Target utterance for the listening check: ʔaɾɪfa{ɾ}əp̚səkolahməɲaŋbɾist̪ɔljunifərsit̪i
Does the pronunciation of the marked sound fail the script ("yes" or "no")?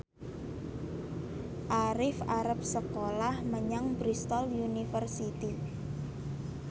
no